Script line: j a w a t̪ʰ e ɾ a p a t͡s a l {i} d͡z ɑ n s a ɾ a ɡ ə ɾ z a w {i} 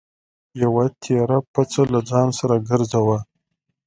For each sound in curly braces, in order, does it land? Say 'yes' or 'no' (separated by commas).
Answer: no, no